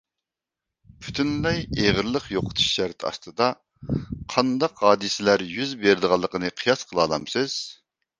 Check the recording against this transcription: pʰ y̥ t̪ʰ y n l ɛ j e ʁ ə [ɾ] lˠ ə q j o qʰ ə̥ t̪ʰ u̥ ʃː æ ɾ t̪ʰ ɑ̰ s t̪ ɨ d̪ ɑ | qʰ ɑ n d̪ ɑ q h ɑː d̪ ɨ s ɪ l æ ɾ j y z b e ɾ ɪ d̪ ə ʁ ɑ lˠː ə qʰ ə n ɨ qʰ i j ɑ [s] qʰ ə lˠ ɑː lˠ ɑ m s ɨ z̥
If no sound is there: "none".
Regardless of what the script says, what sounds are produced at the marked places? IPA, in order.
ɾ, s

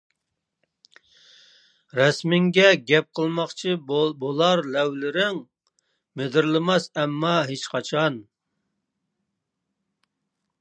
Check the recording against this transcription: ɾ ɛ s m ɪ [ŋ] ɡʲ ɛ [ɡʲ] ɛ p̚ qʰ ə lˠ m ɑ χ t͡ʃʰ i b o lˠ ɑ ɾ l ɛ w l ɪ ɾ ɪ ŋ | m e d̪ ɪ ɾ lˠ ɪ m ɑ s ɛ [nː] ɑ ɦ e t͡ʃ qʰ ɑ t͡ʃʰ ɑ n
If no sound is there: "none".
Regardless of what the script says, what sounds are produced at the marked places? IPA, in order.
ŋ, ɡʲ, mː

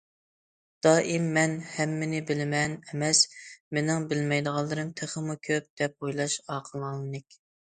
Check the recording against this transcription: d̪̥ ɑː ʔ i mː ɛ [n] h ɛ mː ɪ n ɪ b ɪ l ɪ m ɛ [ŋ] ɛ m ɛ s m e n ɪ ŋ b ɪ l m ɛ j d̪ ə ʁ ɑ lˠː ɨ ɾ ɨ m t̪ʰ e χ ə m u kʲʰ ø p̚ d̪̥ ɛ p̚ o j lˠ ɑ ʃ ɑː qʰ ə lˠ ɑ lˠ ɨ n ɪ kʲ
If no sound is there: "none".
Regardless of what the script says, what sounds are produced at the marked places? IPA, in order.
n, n

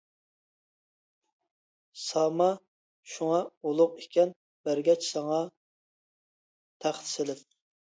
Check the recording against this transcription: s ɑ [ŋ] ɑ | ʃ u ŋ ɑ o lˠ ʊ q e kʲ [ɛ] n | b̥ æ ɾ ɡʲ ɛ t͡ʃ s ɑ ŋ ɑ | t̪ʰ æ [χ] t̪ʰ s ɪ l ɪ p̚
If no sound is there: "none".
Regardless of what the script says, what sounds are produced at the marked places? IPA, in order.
m, ɛ, χ

